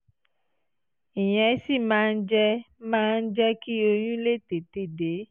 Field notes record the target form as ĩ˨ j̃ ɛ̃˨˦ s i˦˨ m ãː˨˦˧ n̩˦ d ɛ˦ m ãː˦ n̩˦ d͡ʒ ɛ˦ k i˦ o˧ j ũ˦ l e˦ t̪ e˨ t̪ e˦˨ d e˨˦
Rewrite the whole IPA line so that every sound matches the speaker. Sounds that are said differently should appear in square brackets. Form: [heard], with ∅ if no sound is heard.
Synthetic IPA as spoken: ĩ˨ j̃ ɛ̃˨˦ s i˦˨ m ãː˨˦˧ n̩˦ [d͡ʒ] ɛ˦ m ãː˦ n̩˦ d͡ʒ ɛ˦ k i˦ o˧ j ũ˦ l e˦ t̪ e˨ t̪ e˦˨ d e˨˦